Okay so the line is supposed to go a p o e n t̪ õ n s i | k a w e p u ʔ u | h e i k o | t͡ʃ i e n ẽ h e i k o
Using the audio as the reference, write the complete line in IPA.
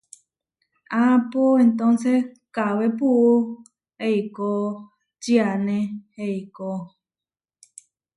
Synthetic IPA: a p o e n t̪ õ n s e | k a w e p u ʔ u | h e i k o | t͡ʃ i a n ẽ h e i k o

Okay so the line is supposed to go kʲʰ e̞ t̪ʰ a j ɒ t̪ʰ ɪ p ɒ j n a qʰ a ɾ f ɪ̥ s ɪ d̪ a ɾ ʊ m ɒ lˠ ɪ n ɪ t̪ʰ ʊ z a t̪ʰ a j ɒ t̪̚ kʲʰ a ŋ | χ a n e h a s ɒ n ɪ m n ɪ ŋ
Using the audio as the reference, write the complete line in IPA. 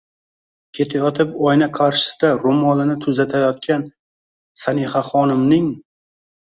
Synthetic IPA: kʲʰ e̞ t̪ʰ a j ɒ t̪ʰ ɪ p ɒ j n a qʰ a ɾ ʃ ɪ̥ s ɪ d̪ a ɾ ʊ m ɒ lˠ ɪ n ɪ t̪ʰ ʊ z a t̪ʰ a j ɒ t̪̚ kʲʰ a n | s a n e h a χ ɒ n ɪ m n ɪ ŋ

